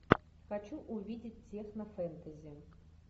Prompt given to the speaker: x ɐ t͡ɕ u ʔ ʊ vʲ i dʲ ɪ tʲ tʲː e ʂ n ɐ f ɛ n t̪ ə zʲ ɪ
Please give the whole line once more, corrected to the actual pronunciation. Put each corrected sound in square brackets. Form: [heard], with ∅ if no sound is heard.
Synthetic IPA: x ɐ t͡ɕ u ʔ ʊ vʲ i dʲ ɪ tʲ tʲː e [x] n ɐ f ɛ n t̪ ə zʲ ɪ